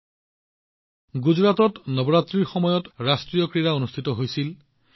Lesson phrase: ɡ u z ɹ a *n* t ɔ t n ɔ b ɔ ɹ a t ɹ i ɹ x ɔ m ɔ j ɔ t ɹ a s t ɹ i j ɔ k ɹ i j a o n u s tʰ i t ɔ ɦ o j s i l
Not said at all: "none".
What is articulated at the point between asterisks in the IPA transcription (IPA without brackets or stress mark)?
none